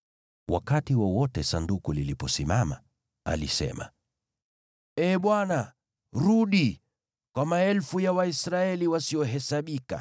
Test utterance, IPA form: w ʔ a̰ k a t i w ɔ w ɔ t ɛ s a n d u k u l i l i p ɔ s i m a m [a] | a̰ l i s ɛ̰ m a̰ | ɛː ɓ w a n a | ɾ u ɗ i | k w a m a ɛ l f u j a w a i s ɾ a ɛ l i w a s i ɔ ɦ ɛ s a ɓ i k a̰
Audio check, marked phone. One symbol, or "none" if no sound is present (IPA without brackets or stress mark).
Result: a